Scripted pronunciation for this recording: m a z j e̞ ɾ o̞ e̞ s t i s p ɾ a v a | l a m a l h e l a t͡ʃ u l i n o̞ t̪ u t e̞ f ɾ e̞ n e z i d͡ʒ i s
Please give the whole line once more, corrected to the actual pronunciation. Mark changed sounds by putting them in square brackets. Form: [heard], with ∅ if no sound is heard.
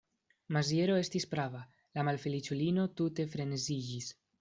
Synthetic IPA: m a z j e̞ ɾ o̞ e̞ s t i s p ɾ a v a | l a m a l [f] e l [i] t͡ʃ u l i n o̞ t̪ u t e̞ f ɾ e̞ n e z i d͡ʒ i s